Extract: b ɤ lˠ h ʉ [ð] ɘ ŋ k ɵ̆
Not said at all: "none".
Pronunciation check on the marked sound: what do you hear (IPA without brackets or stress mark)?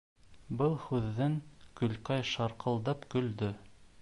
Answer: ðː